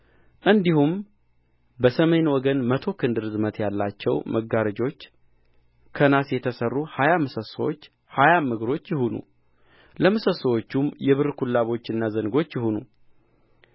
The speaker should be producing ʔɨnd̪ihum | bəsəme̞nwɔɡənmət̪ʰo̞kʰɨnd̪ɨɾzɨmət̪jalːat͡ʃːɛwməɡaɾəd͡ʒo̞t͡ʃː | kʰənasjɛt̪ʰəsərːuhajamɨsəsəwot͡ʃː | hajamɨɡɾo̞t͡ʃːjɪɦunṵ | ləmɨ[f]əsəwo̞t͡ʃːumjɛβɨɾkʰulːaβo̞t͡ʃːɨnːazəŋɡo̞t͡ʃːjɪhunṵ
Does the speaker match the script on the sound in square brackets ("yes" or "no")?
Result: no